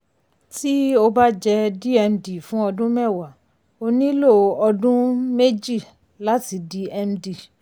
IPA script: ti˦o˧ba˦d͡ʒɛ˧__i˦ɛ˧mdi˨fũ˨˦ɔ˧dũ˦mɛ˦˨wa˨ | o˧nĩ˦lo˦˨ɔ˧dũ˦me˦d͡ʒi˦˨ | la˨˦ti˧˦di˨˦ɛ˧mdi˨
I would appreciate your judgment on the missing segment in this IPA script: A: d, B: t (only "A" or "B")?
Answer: A